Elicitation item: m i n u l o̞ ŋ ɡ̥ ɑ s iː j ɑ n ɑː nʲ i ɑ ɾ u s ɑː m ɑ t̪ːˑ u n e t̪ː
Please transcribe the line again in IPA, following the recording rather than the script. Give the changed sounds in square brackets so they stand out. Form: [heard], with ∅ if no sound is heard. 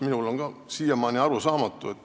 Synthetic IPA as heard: m i n u l o̞ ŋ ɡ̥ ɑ s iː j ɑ [m] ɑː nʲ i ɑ ɾ u s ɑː m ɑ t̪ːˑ u [∅] e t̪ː